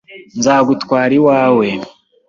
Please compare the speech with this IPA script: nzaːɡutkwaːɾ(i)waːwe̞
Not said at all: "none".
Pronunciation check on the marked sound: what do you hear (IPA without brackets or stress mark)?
i